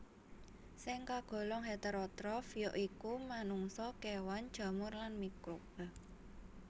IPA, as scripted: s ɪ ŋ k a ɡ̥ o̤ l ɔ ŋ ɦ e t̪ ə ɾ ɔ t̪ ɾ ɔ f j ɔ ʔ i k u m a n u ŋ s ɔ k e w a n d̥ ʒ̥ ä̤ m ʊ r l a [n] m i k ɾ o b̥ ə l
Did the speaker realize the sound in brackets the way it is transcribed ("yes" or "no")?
yes